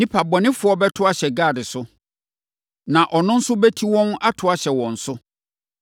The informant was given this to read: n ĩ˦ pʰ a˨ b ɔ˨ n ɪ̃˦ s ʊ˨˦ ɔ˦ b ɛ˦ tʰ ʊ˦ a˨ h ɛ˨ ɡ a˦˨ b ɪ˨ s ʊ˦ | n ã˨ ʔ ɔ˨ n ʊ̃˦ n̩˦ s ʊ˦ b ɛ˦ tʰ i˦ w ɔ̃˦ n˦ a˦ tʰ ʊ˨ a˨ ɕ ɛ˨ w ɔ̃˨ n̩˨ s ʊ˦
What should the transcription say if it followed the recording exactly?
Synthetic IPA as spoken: n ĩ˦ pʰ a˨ b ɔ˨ n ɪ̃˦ f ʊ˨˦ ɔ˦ b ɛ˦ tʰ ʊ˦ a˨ ɕ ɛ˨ ɡ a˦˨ d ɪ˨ s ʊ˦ | n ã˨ ʔ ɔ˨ n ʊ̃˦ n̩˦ s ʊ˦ b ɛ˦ tʰ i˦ w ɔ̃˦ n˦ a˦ tʰ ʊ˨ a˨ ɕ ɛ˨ w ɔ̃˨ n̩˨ s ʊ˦